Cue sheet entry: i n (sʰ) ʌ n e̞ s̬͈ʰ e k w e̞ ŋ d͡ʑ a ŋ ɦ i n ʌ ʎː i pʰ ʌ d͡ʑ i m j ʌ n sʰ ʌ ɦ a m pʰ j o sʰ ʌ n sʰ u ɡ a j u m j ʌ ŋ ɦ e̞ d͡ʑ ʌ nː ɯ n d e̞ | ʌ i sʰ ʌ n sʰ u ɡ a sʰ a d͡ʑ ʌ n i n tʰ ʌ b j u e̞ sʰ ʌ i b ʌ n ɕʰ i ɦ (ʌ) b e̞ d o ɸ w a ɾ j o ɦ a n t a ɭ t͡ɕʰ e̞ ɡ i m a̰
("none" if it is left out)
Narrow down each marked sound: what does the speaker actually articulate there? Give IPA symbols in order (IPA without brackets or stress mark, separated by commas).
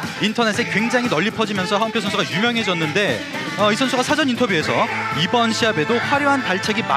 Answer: tʰ, a